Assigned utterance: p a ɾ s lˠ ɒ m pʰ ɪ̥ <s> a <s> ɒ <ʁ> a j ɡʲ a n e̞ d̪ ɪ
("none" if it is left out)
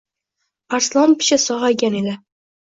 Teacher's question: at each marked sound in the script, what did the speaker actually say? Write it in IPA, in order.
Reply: ʃ, s, ʁ

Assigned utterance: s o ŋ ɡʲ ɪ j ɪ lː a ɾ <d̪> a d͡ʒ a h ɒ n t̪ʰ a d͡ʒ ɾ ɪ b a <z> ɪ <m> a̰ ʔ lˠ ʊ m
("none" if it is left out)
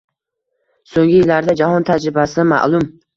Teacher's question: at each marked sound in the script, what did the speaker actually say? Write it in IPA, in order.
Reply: d̪, s, m

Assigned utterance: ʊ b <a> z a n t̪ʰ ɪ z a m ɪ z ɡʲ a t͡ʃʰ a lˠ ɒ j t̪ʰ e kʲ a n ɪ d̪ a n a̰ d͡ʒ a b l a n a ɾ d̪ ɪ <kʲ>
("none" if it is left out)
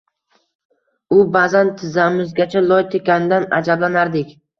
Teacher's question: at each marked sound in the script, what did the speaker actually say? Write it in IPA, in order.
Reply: a, kʲ

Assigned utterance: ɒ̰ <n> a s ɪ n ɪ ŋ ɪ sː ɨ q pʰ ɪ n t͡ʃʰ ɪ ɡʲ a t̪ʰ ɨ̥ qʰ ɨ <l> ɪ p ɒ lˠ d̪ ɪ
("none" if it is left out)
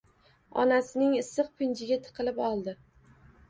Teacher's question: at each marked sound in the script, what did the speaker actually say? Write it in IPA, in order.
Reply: n, l

